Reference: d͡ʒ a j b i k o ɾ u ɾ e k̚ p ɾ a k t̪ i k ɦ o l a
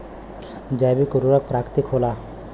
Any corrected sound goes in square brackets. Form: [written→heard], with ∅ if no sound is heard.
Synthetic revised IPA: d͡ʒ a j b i k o ɾ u ɾ [e→a] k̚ p ɾ a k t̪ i k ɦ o l a